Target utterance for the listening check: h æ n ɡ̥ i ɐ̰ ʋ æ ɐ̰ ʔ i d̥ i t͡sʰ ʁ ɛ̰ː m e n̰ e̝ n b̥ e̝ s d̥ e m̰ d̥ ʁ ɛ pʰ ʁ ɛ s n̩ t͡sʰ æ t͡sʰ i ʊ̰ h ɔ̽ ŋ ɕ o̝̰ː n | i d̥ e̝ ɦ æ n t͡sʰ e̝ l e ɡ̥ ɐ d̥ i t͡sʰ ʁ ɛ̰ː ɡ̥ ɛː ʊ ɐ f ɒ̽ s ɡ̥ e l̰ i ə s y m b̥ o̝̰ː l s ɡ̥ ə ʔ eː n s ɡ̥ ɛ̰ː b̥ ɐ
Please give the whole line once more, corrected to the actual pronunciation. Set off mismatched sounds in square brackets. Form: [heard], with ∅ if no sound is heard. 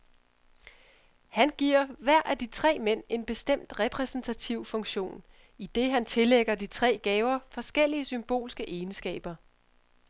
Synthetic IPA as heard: h æ n ɡ̥ i ɐ̰ ʋ æ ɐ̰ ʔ [æ] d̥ i t͡sʰ ʁ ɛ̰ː m e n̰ e̝ n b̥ e̝ s d̥ e m̰ d̥ ʁ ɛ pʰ ʁ ɛ s n̩ t͡sʰ æ t͡sʰ i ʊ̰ [f] ɔ̽ ŋ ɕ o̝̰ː n | i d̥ e̝ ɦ æ n t͡sʰ e̝ l e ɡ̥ ɐ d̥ i t͡sʰ ʁ ɛ̰ː ɡ̥ ɛː ʊ ɐ f ɒ̽ s ɡ̥ e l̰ i ə s y m b̥ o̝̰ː l s ɡ̥ ə ʔ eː n s ɡ̥ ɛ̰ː b̥ ɐ